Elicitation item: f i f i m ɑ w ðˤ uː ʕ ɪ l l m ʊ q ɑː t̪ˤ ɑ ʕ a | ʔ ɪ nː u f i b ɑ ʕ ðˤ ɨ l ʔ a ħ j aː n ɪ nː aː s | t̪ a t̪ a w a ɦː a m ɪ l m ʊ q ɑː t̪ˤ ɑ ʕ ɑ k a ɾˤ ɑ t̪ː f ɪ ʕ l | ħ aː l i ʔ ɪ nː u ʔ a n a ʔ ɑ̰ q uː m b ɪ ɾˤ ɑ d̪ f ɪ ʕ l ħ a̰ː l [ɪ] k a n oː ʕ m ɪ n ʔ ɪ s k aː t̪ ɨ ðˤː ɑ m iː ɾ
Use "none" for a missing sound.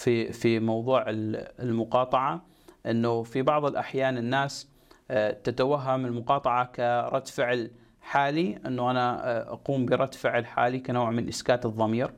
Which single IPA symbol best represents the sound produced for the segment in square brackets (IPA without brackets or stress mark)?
i